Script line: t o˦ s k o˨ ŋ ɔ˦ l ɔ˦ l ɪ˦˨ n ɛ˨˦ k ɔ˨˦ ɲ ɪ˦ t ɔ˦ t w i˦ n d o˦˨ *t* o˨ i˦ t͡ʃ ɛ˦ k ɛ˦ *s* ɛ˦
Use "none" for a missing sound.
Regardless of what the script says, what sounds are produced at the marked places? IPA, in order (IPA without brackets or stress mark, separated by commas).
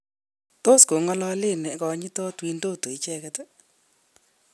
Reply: t, t